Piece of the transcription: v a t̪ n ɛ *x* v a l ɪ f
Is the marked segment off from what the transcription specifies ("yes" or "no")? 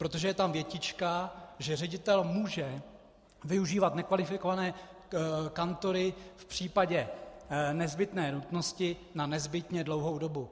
yes